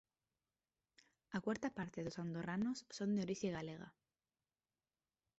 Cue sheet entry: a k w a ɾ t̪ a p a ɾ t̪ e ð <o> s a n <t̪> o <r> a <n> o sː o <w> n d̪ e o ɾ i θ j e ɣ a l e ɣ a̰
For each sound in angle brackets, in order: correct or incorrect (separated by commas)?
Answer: correct, incorrect, correct, correct, incorrect